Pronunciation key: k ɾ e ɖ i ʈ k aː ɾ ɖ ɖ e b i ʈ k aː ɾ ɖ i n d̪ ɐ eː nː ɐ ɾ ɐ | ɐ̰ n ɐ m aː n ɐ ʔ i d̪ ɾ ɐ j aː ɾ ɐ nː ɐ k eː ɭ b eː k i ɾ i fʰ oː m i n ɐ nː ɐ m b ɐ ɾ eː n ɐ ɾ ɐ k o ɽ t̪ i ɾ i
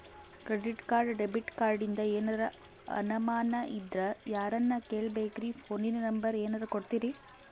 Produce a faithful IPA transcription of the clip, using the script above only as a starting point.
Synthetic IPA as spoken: k ɾ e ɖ i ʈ k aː ɾ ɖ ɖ e b i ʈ k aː ɾ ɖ i n d̪ ɐ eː n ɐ ɾ ɐ | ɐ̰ n ɐ m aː n ɐ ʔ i d̪ ɾ ɐ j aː ɾ ɐ nː ɐ k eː ɭ b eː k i ɾ i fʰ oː n i n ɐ n ɐ m b ɐ ɾ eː n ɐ ɾ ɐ k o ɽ t̪ i ɾ i